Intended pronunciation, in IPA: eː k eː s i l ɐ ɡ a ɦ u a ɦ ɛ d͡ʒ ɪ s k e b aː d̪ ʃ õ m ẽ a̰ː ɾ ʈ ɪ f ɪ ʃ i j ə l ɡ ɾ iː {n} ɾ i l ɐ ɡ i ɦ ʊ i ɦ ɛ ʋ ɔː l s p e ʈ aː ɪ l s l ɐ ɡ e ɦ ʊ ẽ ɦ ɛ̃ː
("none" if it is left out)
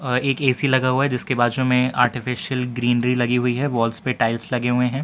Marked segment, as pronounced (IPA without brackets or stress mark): n